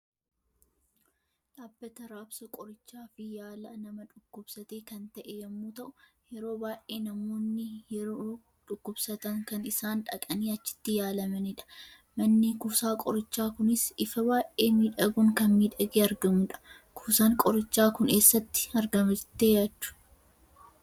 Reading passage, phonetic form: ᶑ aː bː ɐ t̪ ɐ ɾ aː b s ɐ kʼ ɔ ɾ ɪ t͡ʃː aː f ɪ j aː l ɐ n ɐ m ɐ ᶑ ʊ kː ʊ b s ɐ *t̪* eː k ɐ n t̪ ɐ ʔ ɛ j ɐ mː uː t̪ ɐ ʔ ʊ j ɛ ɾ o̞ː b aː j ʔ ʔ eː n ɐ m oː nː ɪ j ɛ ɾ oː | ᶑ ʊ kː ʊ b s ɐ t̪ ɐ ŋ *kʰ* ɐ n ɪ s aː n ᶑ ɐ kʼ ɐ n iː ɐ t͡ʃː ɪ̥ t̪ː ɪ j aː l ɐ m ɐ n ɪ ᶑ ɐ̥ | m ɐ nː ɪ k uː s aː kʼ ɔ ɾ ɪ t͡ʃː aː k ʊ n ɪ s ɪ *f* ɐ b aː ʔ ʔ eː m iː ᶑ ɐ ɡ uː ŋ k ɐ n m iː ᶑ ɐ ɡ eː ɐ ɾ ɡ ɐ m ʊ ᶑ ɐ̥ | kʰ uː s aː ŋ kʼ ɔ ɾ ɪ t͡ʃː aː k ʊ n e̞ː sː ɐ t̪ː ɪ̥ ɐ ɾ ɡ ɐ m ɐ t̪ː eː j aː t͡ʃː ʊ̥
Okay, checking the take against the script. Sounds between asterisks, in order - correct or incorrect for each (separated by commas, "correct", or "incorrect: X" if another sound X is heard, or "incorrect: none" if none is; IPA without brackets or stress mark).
correct, incorrect: k, correct